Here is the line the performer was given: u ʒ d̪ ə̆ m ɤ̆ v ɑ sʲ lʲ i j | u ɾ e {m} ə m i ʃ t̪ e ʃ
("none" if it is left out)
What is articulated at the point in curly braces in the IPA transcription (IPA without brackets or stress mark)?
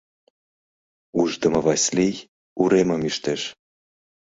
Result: m